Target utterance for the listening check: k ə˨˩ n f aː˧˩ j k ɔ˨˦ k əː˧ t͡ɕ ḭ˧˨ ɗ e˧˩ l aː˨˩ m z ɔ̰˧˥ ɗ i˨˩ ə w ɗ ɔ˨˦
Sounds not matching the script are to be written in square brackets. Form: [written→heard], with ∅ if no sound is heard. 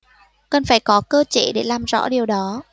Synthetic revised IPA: k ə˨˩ n f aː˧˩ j k ɔ˨˦ k əː˧ t͡ɕ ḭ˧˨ ɗ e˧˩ l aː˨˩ m z ɔ̰˧˥ ɗ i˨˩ ə w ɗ ɔ˨˦